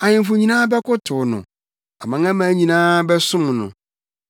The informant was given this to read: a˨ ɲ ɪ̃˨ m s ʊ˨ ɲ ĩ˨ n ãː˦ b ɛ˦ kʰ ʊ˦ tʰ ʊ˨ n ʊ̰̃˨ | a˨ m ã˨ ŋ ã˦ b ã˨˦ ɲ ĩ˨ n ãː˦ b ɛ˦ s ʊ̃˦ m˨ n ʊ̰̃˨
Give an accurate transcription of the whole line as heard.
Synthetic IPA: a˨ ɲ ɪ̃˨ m f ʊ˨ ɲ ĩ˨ n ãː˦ b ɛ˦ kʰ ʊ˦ tʰ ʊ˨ n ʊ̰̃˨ | a˨ m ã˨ ŋ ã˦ m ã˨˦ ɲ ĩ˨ n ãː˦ b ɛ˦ s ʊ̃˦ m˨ n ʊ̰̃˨